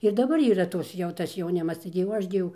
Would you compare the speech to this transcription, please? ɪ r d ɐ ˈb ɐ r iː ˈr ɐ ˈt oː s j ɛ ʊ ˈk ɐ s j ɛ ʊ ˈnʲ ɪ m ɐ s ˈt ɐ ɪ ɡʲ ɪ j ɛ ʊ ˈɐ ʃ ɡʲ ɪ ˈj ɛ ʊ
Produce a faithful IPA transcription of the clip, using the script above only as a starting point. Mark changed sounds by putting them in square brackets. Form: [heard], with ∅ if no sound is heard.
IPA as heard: ɪ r d ɐ ˈb ɐ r iː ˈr ɐ ˈt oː s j ɛ ʊ [ˈt] ɐ s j ɛ ʊ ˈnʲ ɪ m ɐ s ˈt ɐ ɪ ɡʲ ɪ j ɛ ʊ ˈɐ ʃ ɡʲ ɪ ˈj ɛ ʊ